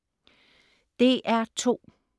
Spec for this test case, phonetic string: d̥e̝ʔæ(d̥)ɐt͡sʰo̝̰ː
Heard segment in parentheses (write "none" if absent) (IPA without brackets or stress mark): none